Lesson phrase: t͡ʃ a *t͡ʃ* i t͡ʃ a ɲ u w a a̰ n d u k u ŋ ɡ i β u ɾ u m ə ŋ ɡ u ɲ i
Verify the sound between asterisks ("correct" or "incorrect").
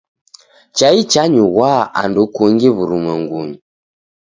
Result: incorrect